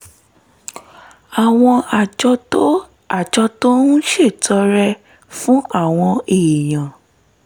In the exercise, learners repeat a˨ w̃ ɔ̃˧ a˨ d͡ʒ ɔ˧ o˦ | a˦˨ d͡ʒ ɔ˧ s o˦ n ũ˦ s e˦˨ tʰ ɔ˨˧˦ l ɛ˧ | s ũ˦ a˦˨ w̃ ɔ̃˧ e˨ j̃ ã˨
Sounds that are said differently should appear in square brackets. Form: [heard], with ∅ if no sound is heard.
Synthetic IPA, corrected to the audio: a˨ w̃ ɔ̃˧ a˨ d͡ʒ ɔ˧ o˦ | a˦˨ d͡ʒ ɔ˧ [t] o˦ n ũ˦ [ʃ] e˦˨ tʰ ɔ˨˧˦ [ɾ] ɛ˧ | [f] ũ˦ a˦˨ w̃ ɔ̃˧ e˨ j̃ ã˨